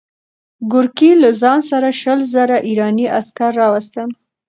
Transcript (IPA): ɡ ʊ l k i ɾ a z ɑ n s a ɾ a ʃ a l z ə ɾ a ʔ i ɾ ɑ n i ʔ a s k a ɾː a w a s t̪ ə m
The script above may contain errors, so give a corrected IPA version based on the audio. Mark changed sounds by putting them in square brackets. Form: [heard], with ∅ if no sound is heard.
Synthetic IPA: ɡ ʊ [ɾ] k i [l] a z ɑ n s a ɾ a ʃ [ə] l z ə ɾ a ʔ i ɾ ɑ n i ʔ a s k a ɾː [ɑ] w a s t̪ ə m